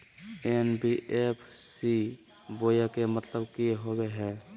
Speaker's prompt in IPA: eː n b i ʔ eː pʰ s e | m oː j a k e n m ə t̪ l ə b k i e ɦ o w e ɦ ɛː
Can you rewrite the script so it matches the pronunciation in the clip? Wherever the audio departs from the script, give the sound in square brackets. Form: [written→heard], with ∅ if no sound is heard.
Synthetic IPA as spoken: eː n b i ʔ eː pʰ s [e→i] | [m→b] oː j a k e [n→∅] m ə t̪ l ə b k i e ɦ o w e ɦ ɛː